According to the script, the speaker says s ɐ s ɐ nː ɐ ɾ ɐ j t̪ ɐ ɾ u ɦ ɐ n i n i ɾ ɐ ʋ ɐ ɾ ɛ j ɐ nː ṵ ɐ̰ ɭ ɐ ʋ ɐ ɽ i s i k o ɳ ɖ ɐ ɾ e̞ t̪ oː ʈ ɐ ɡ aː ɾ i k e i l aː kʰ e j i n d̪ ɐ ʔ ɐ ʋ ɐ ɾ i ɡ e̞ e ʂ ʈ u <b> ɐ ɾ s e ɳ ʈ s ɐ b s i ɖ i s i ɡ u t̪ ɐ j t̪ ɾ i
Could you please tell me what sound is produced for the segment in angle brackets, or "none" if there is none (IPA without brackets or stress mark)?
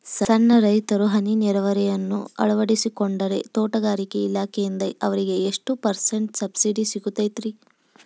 p